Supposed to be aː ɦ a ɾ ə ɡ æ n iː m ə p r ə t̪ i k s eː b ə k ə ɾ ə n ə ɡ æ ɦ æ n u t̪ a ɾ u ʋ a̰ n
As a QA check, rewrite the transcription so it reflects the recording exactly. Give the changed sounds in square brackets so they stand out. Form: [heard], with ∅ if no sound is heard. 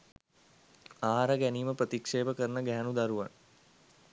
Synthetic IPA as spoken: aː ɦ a ɾ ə ɡ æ n iː m ə p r ə t̪ i k [ʂ] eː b ə k ə ɾ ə n ə ɡ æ ɦ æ n u [d̪] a ɾ u ʋ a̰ n